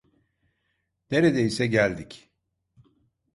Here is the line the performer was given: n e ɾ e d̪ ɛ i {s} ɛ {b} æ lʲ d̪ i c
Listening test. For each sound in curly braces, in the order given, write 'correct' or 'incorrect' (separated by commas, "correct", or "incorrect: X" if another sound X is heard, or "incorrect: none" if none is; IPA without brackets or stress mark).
correct, incorrect: ɟ